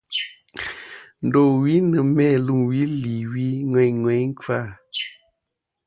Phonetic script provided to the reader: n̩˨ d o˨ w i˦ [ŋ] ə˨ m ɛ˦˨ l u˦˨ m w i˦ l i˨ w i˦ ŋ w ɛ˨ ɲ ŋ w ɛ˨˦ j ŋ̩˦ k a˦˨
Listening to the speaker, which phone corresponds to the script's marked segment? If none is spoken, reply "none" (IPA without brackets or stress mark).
n